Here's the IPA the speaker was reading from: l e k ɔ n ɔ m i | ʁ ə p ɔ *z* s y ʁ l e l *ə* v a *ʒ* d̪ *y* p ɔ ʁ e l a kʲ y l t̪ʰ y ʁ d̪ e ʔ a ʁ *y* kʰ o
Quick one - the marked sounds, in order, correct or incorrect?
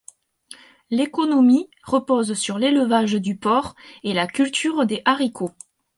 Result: correct, correct, correct, correct, incorrect: i

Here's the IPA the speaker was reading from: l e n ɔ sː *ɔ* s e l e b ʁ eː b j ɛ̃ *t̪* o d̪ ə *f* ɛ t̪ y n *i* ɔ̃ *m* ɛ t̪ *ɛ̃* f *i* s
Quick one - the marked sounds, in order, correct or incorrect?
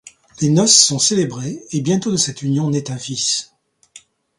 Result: incorrect: ɔ̃, correct, incorrect: s, incorrect: j, incorrect: n, correct, correct

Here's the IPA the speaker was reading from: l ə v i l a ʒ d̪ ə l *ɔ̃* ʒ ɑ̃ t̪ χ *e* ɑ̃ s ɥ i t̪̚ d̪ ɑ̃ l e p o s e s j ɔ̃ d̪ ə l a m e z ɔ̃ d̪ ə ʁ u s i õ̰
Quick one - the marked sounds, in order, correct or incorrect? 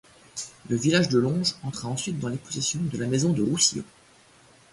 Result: correct, incorrect: a

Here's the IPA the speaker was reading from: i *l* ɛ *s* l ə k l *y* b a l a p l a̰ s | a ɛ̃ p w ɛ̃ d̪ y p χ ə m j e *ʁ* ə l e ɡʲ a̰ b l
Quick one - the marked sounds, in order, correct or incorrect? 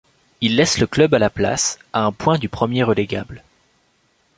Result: incorrect: lː, correct, incorrect: œ, correct

